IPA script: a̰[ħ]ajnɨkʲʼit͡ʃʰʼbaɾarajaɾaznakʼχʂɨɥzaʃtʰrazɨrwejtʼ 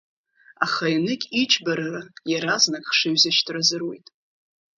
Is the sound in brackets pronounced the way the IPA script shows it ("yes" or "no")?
no